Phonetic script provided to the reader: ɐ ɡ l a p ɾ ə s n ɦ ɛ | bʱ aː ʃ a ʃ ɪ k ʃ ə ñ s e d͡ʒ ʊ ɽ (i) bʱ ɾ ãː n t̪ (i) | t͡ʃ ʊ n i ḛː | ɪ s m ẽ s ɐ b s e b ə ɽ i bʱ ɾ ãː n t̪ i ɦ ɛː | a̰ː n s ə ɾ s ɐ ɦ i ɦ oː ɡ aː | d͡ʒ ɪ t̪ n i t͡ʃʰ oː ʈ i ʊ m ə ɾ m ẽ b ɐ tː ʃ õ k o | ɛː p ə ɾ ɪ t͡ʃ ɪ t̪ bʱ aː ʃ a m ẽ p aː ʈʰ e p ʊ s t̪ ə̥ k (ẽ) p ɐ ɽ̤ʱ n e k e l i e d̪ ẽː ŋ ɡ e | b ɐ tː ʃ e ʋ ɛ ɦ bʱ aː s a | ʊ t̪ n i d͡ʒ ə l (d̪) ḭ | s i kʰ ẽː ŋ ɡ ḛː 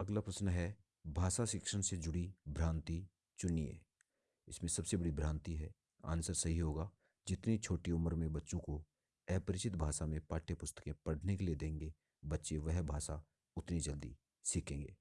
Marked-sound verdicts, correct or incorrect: correct, correct, correct, correct

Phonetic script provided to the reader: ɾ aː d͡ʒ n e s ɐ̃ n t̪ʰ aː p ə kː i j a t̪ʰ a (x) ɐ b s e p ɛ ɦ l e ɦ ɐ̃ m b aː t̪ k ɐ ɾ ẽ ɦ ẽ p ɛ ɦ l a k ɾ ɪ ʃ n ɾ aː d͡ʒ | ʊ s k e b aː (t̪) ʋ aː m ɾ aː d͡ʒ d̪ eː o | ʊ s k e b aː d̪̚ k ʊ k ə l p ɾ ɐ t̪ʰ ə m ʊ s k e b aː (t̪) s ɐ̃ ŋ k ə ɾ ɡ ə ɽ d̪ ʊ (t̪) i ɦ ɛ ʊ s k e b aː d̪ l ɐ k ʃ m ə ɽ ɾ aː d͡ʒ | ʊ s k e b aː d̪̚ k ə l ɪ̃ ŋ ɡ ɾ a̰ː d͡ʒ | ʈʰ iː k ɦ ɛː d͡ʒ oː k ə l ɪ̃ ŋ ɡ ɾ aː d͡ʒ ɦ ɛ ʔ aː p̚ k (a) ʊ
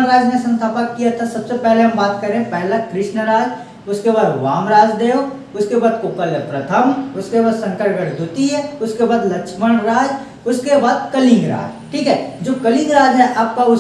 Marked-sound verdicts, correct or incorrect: incorrect: s, incorrect: d̪, incorrect: d̪, correct, correct

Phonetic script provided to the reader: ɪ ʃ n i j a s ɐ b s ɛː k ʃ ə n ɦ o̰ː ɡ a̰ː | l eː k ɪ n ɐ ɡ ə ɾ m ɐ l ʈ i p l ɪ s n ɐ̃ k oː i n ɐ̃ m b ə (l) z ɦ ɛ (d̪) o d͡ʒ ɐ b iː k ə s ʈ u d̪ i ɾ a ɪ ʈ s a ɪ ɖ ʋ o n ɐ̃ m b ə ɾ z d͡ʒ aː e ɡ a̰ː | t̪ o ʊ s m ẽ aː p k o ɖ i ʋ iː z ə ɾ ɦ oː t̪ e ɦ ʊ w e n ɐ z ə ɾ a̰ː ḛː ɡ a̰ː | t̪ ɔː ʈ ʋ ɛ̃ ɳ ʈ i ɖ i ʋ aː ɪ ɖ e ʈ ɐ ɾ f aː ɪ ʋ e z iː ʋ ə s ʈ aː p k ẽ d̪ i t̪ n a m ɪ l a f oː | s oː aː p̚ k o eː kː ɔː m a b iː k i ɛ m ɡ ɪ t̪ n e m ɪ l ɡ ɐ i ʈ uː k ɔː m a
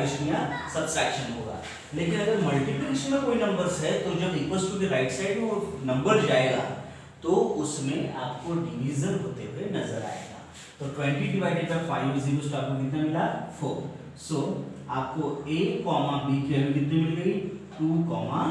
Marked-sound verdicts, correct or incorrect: incorrect: ɾ, incorrect: t̪

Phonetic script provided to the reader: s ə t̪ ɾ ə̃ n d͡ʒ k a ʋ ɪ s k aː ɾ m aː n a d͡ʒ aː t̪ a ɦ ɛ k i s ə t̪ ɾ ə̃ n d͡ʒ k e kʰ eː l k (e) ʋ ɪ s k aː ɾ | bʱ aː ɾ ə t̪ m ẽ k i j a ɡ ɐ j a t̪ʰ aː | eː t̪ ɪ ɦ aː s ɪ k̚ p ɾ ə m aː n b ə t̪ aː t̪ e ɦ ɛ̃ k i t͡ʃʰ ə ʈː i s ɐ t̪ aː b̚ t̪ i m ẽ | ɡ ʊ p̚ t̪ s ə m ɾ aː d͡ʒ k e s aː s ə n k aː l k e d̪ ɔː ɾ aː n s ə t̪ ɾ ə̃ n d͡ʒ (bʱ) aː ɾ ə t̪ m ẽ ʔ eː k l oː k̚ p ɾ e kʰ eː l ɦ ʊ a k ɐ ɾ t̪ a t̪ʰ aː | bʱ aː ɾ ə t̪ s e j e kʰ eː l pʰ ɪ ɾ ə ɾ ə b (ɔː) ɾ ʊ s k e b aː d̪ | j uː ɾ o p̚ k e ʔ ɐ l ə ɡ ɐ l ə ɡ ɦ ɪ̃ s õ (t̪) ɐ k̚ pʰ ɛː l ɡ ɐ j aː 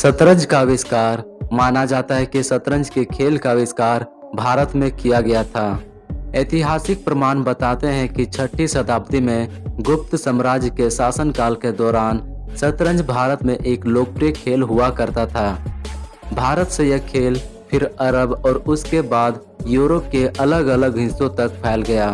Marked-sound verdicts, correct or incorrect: incorrect: a, correct, correct, correct

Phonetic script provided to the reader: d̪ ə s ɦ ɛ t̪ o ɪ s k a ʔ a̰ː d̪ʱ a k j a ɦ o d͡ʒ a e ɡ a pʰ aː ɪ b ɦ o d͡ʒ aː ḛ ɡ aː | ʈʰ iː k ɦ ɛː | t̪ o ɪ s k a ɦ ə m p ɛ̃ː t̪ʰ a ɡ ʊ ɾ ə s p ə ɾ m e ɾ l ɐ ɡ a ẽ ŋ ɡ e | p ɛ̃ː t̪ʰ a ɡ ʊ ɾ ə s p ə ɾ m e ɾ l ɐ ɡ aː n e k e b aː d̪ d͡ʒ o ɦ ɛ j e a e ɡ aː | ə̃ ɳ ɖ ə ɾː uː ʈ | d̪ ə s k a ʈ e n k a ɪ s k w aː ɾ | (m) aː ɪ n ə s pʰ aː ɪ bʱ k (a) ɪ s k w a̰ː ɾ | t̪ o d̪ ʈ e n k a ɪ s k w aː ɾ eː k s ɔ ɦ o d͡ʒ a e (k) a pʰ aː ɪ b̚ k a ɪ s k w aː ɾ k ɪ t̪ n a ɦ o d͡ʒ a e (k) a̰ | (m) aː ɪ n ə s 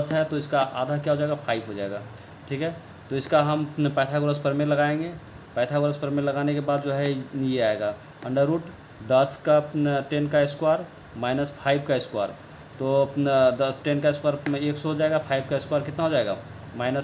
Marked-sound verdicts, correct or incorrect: correct, correct, incorrect: ɡ, incorrect: ɡ, correct

